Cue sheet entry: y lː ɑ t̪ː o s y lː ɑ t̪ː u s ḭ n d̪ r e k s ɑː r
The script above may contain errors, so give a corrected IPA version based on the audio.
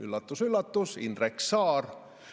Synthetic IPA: y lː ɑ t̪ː u s y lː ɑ t̪ː u s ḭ n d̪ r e k s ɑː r

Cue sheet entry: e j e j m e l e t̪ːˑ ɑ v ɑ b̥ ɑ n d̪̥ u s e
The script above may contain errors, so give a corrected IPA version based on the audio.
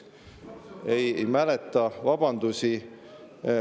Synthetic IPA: e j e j m æ l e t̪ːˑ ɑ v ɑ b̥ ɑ n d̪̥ u s i

